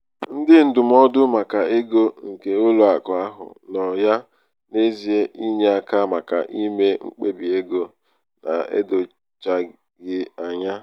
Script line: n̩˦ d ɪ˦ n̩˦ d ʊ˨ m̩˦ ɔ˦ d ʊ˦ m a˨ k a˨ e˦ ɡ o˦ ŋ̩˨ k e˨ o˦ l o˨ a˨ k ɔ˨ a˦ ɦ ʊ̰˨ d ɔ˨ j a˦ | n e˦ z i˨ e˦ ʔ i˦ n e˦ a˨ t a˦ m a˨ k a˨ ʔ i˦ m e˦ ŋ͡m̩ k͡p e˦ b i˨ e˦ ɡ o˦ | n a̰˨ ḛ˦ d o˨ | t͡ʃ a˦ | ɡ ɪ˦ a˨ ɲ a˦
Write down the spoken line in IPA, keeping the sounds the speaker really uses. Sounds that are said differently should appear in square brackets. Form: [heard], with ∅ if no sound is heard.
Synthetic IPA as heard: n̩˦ d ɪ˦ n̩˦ d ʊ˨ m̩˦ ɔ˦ d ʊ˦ m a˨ k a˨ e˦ ɡ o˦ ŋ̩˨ k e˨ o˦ l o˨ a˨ k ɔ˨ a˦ ɦ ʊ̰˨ [n] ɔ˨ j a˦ | n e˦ z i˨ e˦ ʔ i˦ [ɲ] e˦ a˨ [k] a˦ m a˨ k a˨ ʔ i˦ m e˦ ŋ͡m̩ k͡p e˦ b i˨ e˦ ɡ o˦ | n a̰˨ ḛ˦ d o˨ | t͡ʃ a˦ | ɡ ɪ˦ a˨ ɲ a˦